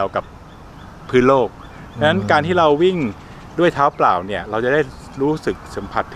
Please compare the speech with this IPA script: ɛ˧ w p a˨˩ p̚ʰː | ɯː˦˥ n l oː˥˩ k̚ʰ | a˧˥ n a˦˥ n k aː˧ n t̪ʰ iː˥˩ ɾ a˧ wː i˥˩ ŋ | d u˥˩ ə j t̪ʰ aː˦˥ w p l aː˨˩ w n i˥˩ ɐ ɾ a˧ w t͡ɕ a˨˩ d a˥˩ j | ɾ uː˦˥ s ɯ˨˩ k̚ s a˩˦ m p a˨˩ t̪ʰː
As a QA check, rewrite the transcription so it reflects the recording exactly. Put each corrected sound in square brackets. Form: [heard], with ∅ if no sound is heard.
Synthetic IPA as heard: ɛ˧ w [k] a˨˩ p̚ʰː | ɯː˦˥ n l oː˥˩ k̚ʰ | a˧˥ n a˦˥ n k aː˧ n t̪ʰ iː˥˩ ɾ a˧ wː i˥˩ ŋ | d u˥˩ ə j t̪ʰ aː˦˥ w p l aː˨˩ w n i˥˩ ɐ ɾ a˧ w t͡ɕ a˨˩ d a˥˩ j | ɾ uː˦˥ s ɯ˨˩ k̚ s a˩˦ m [pʰ] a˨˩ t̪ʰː